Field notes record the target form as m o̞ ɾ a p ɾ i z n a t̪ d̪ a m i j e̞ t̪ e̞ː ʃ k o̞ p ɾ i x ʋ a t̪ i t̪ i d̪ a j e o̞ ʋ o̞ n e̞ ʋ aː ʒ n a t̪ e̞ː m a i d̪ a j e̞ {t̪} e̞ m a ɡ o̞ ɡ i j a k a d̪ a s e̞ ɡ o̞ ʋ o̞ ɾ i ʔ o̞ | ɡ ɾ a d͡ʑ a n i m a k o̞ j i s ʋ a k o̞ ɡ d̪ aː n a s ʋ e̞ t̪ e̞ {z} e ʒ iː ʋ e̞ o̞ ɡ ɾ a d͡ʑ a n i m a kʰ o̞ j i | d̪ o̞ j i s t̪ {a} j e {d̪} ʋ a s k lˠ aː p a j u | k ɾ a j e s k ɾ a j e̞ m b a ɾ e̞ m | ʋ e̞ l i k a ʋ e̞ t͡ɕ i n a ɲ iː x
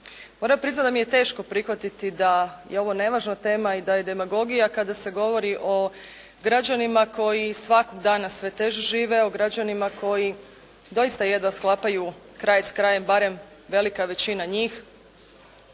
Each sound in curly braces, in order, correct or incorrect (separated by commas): incorrect, incorrect, correct, correct